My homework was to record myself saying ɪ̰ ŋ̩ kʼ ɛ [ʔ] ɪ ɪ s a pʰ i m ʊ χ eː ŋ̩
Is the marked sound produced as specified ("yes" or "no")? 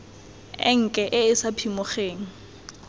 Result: yes